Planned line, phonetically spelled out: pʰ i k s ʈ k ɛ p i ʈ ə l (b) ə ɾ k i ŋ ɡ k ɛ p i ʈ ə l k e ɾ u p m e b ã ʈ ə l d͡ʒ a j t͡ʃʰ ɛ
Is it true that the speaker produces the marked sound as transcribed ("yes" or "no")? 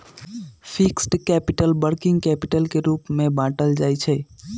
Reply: yes